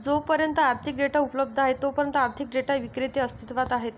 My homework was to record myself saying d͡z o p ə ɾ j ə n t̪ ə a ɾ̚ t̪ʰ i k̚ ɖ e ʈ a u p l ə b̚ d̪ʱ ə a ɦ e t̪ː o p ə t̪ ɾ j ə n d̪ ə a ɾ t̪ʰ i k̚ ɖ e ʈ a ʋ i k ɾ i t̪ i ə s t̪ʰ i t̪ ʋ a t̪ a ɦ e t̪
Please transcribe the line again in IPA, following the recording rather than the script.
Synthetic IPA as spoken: d͡z o p ə ɾ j ə n t̪ ə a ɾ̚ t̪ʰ i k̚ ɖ e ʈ a u p l ə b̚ d̪ʱ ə a ɦ e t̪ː o p ə ɾ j ə n t̪ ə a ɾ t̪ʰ i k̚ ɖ e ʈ a ʋ i k ɾ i t̪ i ə s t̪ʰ i t̪ ʋ a t̪ a ɦ e t̪